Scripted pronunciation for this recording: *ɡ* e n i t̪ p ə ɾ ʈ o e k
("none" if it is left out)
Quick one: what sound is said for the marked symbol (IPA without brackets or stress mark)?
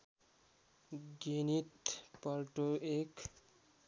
ɡ